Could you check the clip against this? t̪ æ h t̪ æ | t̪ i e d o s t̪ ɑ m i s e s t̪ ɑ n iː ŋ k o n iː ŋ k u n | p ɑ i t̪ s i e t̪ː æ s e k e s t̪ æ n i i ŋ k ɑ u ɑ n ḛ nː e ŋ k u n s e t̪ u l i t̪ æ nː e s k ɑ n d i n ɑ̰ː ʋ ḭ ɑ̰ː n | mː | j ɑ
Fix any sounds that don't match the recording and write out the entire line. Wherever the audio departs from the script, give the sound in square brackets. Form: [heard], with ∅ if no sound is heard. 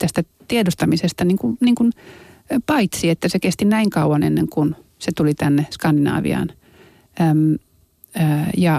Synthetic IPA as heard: t̪ æ [s] t̪ æ | t̪ i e d o s t̪ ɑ m i s e s t̪ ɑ n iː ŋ k [u] n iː ŋ k u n | p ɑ i t̪ s i e t̪ː æ s e k e s t̪ [i] n [æ] i ŋ k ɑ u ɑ n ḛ nː e ŋ k u n s e t̪ u l i t̪ æ nː e s k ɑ n d i n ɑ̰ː ʋ ḭ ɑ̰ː n | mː | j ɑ